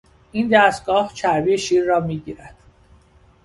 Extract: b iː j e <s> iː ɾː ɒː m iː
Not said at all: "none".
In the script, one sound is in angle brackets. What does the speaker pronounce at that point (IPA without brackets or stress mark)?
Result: ʃ